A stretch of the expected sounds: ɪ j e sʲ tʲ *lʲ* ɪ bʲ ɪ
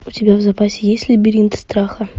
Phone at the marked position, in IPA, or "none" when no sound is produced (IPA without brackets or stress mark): lʲ